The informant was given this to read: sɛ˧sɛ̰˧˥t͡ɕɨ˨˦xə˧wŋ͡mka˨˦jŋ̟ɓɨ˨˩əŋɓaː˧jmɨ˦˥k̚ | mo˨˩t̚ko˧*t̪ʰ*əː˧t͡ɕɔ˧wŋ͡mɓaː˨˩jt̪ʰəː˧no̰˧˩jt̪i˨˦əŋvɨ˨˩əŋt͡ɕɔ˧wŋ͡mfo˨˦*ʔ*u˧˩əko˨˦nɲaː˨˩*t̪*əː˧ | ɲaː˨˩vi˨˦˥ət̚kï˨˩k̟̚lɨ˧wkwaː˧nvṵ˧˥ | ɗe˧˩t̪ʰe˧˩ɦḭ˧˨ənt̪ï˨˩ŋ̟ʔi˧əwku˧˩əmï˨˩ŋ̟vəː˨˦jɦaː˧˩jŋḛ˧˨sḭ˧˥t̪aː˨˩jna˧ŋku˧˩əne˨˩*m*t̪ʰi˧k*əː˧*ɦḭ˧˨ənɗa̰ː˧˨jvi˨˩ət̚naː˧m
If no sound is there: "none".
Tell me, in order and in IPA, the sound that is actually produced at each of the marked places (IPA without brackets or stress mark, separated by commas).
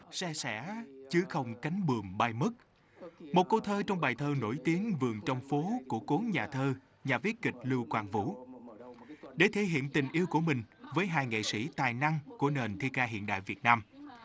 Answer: t̪ʰ, k, t̪ʰ, n, aː˧